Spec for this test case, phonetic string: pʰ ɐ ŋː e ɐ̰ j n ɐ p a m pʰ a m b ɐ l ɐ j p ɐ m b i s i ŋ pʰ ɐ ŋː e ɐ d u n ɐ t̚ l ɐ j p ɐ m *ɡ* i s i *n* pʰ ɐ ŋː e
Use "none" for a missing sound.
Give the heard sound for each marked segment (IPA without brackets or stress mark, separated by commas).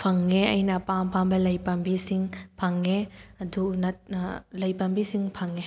b, ŋ